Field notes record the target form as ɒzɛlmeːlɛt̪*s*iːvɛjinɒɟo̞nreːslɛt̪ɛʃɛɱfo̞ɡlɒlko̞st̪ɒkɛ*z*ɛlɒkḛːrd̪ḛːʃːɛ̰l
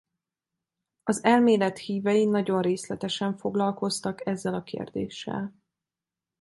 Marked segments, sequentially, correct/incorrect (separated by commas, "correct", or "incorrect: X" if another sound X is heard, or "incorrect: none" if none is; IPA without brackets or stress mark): incorrect: h, incorrect: zː